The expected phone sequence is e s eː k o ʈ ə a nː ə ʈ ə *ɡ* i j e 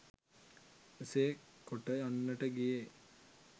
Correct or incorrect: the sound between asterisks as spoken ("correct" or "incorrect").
correct